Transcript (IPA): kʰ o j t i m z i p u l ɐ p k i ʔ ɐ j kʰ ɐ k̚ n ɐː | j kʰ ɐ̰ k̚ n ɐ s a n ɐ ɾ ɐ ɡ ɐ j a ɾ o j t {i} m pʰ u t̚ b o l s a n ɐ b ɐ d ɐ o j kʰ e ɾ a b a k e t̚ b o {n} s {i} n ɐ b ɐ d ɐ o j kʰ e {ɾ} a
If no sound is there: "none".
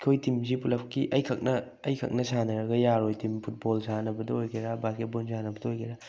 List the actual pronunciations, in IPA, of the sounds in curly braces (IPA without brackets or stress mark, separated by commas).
i, n, a, ɾ